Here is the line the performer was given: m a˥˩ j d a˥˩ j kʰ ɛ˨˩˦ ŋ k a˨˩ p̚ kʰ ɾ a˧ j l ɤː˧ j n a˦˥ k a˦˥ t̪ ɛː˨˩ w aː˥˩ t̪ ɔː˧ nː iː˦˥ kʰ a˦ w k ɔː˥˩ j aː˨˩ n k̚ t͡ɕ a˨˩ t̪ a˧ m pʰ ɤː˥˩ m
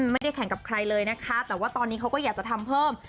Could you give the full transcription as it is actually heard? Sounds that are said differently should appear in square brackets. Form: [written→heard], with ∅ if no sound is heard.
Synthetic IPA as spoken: m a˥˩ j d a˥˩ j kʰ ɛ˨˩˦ ŋ k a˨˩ p̚ kʰ ɾ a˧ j l ɤː˧ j n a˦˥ [k→kʰ] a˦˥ t̪ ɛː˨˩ w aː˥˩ t̪ ɔː˧ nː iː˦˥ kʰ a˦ w k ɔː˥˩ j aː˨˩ [n→∅] k̚ t͡ɕ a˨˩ [t̪→t̪ʰ] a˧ m pʰ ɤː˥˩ m